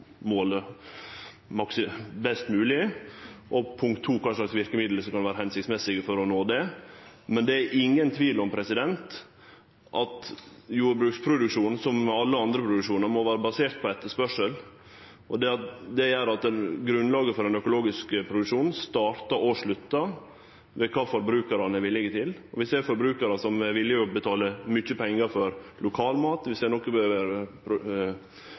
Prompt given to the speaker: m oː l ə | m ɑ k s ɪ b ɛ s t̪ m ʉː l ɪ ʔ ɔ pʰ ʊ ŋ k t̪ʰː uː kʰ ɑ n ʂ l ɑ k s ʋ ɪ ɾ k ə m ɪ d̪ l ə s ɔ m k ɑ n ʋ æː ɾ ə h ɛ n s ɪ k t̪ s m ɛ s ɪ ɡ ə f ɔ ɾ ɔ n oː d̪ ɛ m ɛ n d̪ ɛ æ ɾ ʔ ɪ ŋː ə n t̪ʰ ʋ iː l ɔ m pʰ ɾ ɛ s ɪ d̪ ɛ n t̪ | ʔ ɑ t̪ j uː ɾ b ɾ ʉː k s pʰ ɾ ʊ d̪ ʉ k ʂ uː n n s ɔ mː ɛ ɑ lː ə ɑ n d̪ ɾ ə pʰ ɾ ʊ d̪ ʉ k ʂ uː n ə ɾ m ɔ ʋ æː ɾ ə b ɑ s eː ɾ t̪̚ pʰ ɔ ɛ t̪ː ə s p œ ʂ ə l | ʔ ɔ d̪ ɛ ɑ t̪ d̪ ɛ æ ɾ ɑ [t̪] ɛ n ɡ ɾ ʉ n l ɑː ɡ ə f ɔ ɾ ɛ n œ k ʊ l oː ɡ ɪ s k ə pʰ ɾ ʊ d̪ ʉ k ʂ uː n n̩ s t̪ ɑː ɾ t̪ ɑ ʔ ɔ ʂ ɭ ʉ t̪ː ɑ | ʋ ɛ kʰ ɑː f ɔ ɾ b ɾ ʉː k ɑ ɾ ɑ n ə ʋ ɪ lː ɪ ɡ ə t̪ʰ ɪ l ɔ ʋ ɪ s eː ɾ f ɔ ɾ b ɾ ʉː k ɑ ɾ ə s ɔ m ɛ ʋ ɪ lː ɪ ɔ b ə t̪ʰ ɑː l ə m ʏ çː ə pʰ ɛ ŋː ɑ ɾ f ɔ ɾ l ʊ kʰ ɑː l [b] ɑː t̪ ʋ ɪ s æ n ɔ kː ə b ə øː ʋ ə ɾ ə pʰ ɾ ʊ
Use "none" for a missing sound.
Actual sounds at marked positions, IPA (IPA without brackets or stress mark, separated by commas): t̪, m